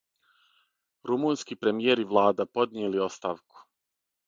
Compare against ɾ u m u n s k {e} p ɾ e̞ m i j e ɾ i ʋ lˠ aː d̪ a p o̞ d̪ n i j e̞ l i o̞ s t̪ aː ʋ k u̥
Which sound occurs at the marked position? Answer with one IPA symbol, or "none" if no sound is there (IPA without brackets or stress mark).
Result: i